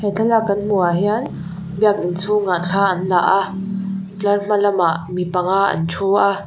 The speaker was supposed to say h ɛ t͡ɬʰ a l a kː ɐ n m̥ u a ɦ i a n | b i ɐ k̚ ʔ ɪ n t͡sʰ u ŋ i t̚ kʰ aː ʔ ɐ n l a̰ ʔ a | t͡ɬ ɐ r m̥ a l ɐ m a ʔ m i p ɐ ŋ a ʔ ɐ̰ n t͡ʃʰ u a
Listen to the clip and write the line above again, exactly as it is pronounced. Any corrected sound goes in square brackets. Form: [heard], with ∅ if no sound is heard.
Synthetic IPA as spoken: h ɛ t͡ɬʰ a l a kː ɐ n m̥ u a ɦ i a n | b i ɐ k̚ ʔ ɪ n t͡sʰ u ŋ [a] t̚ kʰ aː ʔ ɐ n l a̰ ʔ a | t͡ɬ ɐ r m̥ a l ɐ m a ʔ m i p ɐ ŋ a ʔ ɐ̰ n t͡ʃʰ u a